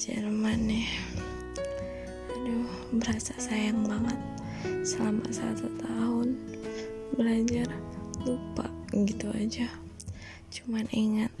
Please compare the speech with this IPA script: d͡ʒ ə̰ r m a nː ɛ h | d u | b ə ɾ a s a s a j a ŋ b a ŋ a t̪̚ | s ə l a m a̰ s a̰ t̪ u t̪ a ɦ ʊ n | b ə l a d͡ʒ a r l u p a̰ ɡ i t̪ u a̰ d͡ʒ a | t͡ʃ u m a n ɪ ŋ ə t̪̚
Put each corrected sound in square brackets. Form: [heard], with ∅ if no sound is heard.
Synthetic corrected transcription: d͡ʒ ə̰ r m a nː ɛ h | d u | b ə ɾ a s a s a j a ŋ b a ŋ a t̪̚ | s ə l a m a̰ s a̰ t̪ u t̪ a ɦ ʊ n | b ə l a d͡ʒ a r l u p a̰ ɡ i t̪ u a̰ d͡ʒ a | t͡ʃ u m a n [i] ŋ [a] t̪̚